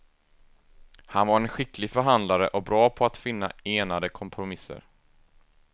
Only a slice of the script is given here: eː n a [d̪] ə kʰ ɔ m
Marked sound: correct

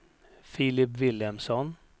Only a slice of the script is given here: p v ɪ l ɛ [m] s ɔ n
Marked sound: correct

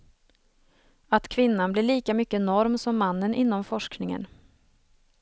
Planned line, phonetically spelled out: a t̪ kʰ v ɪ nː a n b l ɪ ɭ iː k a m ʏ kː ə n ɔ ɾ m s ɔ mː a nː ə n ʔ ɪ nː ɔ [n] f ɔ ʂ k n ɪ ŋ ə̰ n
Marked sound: incorrect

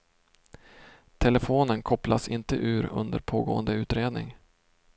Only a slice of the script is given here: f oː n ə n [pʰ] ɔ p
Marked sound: incorrect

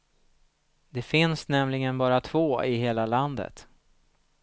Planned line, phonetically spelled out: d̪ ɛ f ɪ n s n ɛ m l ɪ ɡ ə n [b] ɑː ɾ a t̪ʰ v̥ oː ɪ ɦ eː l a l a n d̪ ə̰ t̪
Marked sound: correct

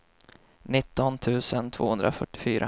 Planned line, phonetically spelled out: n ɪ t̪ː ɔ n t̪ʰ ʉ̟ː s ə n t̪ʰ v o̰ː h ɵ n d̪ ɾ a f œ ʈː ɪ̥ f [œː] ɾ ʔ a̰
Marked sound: incorrect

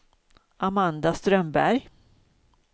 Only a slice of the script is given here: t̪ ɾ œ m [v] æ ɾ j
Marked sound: incorrect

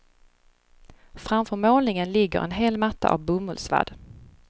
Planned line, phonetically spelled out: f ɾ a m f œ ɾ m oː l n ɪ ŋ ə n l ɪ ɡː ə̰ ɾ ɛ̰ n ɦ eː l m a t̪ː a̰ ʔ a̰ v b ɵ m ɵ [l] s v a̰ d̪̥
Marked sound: correct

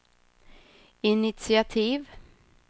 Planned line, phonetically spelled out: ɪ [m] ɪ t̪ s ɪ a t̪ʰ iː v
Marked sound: incorrect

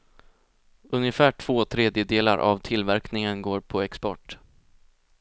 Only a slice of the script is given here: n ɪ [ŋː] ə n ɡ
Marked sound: incorrect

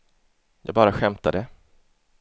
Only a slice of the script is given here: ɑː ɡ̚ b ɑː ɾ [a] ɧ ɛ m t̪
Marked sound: correct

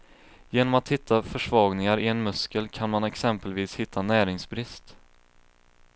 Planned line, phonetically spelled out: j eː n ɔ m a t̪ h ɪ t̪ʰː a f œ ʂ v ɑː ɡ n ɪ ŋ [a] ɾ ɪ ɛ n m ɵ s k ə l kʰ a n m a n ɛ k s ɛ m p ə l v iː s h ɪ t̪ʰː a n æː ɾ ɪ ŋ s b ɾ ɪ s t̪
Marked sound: correct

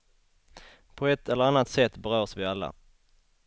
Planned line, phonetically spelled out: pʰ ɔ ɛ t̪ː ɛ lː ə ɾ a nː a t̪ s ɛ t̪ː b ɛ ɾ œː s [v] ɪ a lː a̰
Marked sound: correct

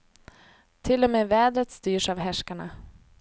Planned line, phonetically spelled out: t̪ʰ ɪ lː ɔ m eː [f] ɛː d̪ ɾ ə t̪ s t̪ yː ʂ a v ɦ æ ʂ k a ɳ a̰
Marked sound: incorrect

